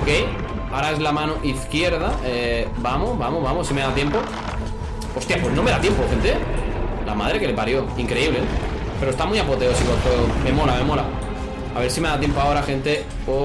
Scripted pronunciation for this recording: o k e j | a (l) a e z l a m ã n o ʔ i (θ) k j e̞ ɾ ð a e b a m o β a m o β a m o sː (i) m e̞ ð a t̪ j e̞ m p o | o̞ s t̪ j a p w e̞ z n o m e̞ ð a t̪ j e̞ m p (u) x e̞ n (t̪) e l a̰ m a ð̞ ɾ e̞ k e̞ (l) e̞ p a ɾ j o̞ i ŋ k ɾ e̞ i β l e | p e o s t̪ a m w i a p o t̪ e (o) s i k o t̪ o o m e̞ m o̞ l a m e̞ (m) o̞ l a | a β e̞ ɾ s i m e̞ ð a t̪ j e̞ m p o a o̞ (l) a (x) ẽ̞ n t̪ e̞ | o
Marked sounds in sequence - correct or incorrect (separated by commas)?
incorrect, correct, correct, incorrect, correct, correct, correct, correct, incorrect, correct